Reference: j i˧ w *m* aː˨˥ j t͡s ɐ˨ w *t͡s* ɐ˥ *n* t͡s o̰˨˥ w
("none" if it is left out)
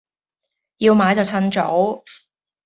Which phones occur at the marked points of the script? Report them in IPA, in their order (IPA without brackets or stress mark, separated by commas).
m, t͡sʰ, n